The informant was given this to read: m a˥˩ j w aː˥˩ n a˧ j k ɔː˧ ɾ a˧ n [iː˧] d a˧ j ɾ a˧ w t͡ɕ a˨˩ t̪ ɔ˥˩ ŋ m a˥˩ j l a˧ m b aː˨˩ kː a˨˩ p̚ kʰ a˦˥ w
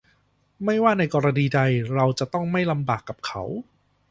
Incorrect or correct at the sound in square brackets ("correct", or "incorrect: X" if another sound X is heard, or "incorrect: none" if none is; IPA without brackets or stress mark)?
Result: correct